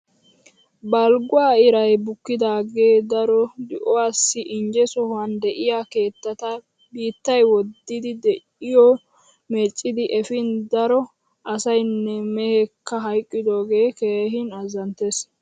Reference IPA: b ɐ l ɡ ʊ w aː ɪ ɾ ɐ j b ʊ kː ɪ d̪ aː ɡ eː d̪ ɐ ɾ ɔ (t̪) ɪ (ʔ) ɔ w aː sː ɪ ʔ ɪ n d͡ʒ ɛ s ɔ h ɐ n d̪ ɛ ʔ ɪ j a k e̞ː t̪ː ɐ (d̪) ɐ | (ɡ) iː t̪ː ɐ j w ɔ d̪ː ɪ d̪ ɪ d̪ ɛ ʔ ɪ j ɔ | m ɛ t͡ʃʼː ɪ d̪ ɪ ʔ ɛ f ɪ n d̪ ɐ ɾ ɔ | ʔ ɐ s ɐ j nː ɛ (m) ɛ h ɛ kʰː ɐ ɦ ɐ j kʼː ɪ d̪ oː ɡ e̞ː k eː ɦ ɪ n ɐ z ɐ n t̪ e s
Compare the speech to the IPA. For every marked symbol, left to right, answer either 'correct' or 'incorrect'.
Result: incorrect, correct, incorrect, incorrect, correct

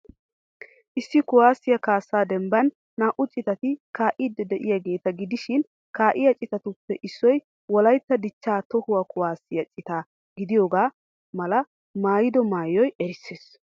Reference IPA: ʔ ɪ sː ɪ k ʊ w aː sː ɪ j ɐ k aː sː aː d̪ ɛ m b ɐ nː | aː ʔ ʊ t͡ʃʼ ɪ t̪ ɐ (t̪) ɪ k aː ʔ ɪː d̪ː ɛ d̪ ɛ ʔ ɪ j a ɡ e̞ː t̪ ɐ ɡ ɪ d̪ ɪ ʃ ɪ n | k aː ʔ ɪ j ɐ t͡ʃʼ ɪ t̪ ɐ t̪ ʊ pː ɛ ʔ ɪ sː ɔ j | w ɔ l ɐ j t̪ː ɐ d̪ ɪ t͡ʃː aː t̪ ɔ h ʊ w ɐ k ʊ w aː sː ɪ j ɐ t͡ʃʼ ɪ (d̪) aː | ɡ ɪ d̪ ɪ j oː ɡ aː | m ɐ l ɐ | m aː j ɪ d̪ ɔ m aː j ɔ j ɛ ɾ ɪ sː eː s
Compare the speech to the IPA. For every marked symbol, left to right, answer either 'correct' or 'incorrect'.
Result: correct, incorrect

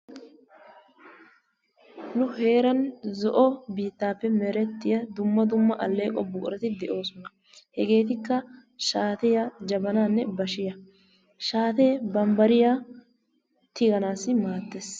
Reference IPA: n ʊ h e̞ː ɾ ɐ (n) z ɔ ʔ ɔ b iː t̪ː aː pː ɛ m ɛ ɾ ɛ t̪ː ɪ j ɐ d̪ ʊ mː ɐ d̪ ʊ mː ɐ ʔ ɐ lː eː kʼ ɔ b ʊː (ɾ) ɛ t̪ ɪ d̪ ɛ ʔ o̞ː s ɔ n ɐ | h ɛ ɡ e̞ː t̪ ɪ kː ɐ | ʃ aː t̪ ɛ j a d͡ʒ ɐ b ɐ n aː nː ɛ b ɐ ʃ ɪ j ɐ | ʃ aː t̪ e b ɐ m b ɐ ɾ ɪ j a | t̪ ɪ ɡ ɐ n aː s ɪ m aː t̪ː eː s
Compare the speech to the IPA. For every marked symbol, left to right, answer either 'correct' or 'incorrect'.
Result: correct, correct

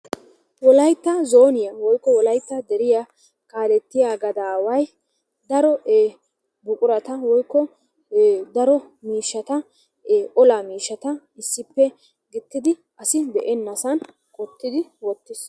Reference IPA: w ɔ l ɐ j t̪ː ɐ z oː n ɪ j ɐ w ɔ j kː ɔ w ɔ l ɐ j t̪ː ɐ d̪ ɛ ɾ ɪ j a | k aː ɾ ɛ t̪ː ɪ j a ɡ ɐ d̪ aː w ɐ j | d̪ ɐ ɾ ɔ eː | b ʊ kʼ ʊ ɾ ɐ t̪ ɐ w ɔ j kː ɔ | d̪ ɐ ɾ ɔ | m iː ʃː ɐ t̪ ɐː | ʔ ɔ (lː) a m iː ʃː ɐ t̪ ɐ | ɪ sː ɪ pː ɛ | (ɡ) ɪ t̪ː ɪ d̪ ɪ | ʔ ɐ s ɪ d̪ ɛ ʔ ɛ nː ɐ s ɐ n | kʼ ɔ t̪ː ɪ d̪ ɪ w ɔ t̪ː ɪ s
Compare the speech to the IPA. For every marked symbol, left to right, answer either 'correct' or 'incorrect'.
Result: incorrect, correct

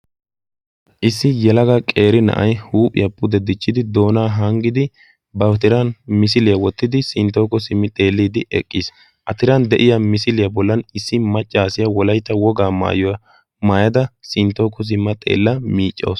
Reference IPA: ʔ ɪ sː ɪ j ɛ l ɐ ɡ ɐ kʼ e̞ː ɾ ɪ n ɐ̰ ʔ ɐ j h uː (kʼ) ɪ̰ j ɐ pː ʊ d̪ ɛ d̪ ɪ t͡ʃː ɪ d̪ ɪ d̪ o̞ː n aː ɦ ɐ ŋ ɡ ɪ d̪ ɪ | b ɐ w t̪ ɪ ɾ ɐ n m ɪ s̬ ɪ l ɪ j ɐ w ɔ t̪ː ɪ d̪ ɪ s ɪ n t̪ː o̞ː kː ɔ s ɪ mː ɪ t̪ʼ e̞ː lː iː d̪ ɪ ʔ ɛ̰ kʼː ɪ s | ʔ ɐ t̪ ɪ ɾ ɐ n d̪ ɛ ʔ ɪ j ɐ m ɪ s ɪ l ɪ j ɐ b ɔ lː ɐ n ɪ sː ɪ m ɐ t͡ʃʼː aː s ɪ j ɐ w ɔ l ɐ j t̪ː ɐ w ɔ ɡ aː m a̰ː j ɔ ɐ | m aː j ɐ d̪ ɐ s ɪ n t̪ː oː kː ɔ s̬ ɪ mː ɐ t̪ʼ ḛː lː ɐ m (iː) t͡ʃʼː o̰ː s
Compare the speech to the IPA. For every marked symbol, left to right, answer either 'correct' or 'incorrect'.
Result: incorrect, correct

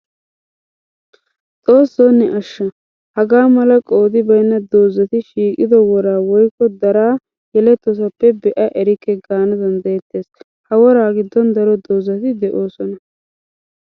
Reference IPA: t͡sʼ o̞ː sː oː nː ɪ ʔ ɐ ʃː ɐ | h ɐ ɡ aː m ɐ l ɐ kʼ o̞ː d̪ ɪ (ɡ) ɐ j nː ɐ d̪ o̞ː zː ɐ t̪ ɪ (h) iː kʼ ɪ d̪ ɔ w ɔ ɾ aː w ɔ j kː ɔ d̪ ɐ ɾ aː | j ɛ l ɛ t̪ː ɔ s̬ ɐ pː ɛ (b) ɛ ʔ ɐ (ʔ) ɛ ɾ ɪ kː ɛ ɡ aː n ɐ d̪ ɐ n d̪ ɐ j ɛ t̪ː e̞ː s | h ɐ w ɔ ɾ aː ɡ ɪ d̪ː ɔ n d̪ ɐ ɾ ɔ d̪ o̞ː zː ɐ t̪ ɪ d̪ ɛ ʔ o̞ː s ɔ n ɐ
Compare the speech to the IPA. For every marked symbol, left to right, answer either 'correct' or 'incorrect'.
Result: incorrect, incorrect, correct, correct

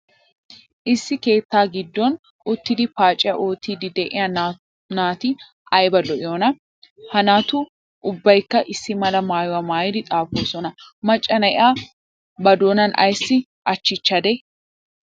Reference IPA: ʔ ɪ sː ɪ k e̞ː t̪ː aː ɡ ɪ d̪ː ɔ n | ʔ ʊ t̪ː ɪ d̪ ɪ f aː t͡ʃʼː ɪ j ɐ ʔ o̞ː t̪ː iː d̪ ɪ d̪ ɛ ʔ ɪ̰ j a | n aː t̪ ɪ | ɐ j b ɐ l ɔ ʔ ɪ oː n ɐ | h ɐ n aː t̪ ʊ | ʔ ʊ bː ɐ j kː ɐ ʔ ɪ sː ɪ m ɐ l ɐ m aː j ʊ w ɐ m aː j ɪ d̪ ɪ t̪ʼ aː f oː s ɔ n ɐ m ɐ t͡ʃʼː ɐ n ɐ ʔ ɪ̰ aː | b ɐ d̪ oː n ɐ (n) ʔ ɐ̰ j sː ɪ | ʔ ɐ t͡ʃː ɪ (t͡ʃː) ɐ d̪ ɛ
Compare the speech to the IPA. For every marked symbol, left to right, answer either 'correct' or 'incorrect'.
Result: correct, correct

